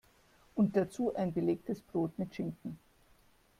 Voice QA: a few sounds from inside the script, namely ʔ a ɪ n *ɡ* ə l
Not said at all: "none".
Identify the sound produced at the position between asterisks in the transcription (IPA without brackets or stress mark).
b